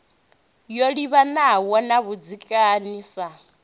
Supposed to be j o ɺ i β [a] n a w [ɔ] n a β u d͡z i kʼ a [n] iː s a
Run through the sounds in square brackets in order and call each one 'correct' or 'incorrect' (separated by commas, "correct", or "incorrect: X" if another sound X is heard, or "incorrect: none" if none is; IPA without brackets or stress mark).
correct, correct, correct